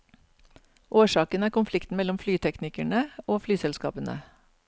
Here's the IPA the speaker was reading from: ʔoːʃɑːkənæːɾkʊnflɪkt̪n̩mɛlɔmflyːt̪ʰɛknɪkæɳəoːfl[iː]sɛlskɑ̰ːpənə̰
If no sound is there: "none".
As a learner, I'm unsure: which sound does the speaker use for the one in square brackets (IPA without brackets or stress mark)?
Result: yː